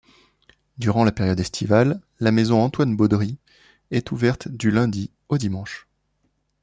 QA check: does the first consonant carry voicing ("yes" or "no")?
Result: yes